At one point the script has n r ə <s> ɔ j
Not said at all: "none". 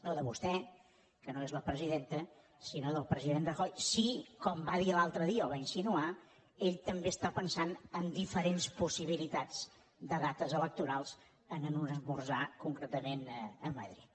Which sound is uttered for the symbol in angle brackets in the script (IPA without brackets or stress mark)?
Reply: x